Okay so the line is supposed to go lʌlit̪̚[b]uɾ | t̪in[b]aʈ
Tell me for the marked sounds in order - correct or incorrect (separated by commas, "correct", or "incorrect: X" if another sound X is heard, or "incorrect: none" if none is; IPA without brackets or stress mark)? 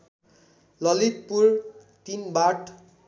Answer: incorrect: p, correct